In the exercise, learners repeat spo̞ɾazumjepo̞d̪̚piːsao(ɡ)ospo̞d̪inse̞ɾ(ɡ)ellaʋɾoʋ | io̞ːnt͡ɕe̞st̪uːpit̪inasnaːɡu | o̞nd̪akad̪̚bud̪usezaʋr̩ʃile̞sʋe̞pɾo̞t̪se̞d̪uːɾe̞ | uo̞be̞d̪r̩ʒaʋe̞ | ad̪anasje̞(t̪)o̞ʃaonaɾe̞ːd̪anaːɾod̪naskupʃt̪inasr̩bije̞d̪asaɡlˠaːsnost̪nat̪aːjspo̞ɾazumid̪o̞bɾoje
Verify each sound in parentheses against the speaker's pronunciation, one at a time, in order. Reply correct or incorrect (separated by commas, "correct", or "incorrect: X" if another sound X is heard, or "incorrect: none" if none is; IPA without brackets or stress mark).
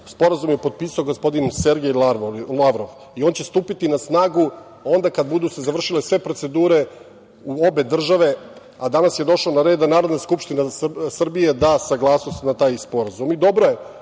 correct, correct, incorrect: d̪